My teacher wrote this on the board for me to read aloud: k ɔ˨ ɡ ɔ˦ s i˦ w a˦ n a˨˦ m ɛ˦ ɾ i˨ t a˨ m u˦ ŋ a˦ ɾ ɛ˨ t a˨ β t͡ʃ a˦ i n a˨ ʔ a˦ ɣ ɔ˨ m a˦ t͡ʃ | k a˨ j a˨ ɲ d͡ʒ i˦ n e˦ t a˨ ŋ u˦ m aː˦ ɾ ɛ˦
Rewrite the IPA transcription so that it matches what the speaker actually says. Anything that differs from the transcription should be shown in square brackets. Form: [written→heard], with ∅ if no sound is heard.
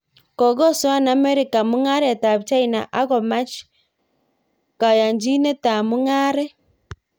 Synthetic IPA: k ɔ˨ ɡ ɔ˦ s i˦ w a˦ n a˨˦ m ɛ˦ ɾ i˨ [t→k] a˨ m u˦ ŋ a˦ ɾ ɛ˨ t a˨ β t͡ʃ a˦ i n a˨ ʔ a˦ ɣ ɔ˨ m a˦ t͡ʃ | k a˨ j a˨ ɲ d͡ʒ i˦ n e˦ t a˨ [ŋ→m] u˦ [m→ŋ] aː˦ ɾ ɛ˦